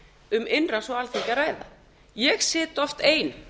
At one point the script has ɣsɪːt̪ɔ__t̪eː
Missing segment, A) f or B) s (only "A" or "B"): A